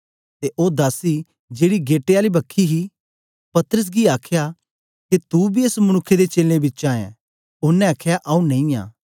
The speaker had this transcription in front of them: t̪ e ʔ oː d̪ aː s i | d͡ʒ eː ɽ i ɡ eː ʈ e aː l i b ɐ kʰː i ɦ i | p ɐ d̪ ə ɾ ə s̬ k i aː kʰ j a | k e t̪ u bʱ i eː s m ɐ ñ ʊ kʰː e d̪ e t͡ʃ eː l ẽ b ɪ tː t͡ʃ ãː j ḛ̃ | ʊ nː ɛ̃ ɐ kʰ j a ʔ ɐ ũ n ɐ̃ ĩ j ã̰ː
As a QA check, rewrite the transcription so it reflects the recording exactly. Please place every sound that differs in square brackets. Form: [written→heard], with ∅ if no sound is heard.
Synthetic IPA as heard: t̪ e ʔ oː d̪ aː s i | d͡ʒ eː ɽ i ɡ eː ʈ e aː l i b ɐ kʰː i ɦ i | p ɐ [d̪→t̪] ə ɾ ə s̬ [k→ɡ] i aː kʰ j a | k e t̪ u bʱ i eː s m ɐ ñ ʊ kʰː e d̪ e t͡ʃ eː l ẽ b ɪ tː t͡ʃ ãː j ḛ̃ | ʊ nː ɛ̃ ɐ kʰ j a ʔ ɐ ũ n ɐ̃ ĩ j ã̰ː